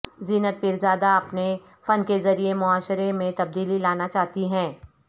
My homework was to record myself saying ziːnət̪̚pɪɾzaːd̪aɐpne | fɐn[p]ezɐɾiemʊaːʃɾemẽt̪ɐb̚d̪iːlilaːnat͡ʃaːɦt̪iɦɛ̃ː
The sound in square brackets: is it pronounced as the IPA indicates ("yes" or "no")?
no